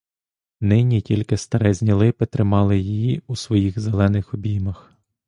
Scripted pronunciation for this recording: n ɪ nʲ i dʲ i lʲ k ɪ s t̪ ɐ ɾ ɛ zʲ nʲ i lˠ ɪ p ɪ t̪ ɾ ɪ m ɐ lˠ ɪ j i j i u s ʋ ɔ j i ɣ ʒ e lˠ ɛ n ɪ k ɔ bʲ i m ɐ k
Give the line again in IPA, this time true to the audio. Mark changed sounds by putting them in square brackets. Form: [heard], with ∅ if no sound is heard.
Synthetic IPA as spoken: n ɪ nʲ i [tʲ] i lʲ k ɪ s t̪ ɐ ɾ ɛ zʲ nʲ i lˠ ɪ p ɪ t̪ ɾ ɪ m [ɑ] lˠ ɪ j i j i u s ʋ ɔ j i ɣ [z] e lˠ ɛ n ɪ [x] ɔ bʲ i m ɐ [x]